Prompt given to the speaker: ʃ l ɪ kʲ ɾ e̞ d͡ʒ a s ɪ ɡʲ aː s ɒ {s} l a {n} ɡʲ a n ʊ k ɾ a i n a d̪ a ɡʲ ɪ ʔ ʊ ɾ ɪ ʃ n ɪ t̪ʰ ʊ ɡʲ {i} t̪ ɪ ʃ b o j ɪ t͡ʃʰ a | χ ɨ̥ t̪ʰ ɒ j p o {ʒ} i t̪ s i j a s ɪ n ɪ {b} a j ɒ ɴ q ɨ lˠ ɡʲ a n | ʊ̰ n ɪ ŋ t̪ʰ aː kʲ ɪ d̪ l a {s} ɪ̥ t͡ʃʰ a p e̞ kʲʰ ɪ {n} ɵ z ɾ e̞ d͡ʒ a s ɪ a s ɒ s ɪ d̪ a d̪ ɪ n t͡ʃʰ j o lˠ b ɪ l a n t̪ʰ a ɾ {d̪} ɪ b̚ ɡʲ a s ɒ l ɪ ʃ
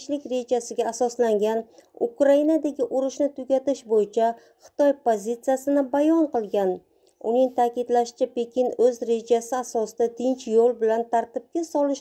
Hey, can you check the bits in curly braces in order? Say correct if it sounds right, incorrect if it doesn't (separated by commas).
correct, incorrect, incorrect, incorrect, correct, incorrect, correct, incorrect